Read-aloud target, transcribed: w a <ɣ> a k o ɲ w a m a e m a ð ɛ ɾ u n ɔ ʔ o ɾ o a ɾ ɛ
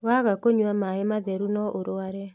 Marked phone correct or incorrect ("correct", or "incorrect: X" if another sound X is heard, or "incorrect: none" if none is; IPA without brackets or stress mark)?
correct